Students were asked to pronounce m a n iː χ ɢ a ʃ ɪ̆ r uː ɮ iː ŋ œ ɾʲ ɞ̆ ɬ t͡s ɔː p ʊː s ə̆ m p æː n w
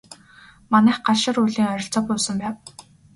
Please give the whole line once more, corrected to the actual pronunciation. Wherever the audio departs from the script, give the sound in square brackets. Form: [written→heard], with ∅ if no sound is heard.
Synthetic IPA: m a n [iː→æː] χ ɢ a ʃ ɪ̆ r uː ɮ iː ŋ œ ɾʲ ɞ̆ ɬ t͡s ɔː p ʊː s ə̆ m p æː [n→∅] w